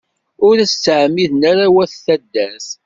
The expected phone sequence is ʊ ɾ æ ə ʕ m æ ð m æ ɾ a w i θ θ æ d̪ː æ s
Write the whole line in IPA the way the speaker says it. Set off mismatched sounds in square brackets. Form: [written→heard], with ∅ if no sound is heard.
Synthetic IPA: ʊ ɾ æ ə ʕ m [æ→i] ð [m→n] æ ɾ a w [i→æ] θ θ æ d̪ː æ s